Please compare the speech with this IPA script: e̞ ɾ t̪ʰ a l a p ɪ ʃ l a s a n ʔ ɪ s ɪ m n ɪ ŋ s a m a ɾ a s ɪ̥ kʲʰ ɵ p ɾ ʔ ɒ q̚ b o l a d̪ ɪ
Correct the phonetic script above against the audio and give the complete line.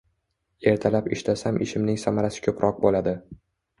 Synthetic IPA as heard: e̞ ɾ t̪ʰ a l a p ɪ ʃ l a s a m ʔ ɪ ʃ ɪ m n ɪ ŋ s a m a ɾ a s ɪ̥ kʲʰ ɵ p ɾ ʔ ɒ q̚ b o l a d̪ ɪ